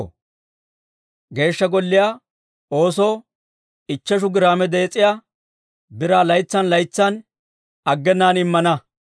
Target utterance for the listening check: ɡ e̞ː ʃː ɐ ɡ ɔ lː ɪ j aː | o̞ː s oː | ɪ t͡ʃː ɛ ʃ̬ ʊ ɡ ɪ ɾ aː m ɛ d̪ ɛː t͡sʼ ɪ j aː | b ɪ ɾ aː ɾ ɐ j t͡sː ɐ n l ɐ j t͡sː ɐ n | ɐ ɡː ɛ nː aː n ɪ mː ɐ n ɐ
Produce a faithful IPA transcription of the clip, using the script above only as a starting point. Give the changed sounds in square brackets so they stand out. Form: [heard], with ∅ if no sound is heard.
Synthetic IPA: ɡ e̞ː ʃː ɐ ɡ ɔ lː ɪ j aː | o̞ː s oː | ɪ t͡ʃː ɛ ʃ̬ ʊ ɡ ɪ ɾ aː m ɛ d̪ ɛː t͡sʼ ɪ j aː | b ɪ ɾ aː [l] ɐ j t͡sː ɐ n l ɐ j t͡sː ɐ n | ɐ ɡː ɛ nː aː n ɪ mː ɐ n ɐ